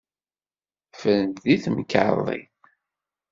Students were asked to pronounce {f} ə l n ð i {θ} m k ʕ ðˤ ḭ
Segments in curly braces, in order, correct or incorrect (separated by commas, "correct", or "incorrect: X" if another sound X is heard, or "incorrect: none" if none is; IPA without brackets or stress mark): correct, correct